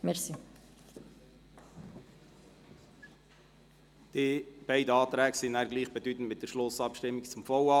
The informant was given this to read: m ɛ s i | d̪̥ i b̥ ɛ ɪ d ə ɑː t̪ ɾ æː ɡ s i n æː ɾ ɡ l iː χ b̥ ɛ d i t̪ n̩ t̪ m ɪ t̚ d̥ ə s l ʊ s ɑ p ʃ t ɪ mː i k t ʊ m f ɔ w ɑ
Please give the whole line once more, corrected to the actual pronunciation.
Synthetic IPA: m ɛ s i | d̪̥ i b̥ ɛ ɪ d ə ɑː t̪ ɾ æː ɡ s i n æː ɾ ɡ l iː χ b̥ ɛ d y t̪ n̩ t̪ m ɪ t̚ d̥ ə ʃ l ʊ s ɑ p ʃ t ɪ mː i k t͡s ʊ m f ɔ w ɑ